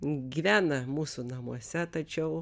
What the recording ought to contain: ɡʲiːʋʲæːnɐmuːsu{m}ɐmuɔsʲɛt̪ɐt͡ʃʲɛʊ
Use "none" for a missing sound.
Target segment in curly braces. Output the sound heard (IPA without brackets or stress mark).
n